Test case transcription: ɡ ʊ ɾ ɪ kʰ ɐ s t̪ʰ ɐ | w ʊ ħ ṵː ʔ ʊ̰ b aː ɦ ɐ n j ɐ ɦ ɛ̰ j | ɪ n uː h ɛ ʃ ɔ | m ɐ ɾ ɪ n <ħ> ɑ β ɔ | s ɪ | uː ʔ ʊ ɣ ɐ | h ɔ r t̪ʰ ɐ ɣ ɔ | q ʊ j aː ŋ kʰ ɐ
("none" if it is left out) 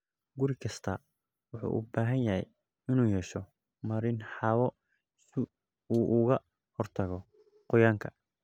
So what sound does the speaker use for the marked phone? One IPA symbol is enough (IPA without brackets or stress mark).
ħ